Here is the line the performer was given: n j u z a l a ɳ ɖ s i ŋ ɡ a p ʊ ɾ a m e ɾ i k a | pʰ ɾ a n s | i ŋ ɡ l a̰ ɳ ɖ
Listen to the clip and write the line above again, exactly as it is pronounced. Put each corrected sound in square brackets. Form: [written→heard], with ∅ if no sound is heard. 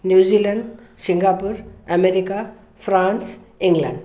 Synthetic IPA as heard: n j u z [a→i] l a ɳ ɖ s i ŋ ɡ a p [ʊ→u] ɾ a m e ɾ i k a | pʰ ɾ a n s | i ŋ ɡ l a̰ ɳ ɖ